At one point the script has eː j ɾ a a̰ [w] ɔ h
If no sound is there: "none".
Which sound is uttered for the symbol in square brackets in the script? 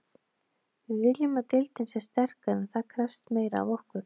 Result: v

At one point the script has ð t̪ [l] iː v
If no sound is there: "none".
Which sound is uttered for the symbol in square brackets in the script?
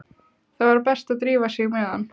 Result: ɾ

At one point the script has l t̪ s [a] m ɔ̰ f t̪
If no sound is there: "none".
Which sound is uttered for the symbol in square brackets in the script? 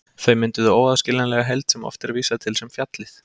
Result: ɛ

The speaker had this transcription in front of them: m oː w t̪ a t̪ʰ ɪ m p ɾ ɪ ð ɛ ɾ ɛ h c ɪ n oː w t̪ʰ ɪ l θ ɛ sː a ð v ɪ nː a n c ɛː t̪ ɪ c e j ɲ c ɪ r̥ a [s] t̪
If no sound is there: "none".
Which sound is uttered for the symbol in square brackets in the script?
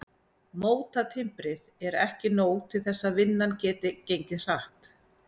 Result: h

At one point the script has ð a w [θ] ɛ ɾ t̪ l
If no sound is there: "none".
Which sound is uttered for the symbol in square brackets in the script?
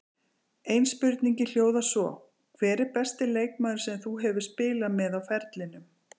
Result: f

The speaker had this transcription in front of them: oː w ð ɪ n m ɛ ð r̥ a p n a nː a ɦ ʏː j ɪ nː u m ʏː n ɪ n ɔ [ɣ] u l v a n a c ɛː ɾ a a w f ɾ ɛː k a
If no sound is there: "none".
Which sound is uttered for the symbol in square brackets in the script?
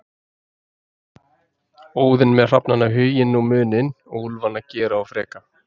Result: ɣ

